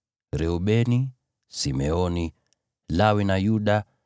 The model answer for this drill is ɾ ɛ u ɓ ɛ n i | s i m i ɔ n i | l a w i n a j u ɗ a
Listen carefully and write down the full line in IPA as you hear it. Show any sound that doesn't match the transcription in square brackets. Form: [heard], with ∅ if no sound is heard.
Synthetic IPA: ɾ ɛ u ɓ ɛ n i | s i m [ɛ] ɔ n i | l a w i n a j u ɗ a